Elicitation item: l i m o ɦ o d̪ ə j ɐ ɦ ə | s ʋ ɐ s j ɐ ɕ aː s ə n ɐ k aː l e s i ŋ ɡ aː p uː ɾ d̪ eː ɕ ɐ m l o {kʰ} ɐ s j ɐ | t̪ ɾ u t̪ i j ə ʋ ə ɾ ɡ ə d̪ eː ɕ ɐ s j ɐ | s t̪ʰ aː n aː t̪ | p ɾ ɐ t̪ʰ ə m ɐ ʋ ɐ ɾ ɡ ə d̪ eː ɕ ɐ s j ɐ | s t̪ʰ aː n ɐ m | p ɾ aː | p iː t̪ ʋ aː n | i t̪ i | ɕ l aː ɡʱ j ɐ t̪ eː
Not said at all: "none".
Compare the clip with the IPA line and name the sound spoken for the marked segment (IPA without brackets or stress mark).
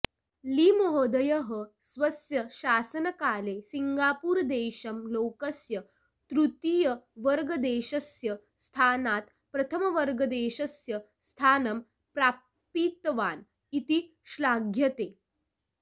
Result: k